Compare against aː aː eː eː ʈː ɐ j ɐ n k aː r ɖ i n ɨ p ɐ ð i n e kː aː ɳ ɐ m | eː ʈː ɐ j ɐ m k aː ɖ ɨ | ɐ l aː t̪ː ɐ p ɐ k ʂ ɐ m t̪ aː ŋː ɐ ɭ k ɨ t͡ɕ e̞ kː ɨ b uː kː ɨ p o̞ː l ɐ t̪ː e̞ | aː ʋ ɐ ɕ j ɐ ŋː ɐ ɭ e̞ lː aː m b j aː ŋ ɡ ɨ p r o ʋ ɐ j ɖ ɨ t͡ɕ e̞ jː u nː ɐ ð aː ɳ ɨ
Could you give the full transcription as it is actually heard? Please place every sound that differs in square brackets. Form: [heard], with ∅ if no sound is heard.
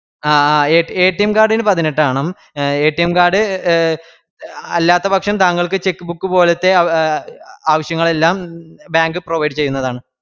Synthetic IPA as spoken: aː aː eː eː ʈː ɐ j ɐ [m] k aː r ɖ i n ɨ p ɐ ð i n e [ʈː] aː ɳ ɐ m | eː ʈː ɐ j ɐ m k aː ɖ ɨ | ɐ [lː] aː t̪ː ɐ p ɐ k ʂ ɐ m t̪ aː ŋː ɐ ɭ k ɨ t͡ɕ e̞ kː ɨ b [u] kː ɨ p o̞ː l ɐ t̪ː e̞ | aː ʋ ɐ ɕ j ɐ ŋː ɐ ɭ e̞ lː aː m b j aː ŋ ɡ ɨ p r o ʋ ɐ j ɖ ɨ t͡ɕ e̞ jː u nː ɐ ð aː ɳ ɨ